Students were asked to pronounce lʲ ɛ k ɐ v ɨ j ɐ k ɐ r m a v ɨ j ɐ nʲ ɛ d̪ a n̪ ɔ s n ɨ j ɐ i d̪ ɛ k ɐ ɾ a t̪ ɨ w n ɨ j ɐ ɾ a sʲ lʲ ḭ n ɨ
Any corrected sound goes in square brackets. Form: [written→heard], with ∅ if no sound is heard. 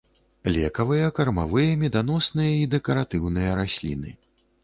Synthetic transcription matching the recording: lʲ ɛ k ɐ v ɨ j ɐ k ɐ r m a v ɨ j ɐ [nʲ→mʲ] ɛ d̪ a n̪ ɔ s n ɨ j ɐ i d̪ ɛ k ɐ ɾ a t̪ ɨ w n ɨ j ɐ ɾ a sʲ lʲ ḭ n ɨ